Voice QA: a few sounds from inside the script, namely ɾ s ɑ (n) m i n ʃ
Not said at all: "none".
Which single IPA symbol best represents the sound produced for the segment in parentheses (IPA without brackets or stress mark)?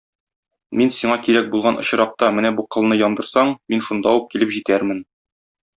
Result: ɴ